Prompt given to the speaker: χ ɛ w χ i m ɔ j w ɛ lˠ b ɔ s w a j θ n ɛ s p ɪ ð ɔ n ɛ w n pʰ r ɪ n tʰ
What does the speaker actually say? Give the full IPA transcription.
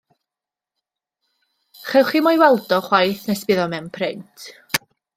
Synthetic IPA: χ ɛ w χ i m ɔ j w ɛ lˠ d ɔ χ w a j θ n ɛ s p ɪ ð ɔ m ɛ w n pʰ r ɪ n tʰ